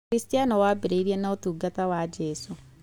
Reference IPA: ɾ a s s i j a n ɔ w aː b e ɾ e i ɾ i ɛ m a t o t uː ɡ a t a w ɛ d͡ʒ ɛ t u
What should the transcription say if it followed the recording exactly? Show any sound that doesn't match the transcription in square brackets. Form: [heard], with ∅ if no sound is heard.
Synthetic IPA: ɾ [i] s [t] i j a n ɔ w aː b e ɾ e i ɾ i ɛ [n] a [∅] o t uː ɡ a t a w [a] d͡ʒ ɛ [s] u